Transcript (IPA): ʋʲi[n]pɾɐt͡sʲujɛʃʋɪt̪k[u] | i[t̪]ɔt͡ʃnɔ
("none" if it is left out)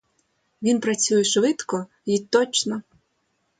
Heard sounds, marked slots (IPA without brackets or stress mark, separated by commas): n, ɔ, t̪